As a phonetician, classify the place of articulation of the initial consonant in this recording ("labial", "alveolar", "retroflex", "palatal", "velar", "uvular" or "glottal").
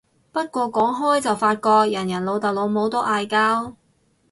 labial